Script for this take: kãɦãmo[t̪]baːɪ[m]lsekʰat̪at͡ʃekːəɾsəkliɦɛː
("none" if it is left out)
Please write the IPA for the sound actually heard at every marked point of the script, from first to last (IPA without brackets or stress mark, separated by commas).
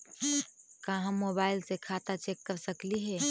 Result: none, none